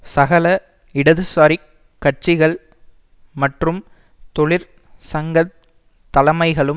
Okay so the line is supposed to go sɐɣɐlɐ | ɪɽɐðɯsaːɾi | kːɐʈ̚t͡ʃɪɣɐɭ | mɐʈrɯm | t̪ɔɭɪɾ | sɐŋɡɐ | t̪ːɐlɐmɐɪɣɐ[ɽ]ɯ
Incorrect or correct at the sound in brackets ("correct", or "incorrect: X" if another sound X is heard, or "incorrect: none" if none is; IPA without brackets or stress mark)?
incorrect: ɭ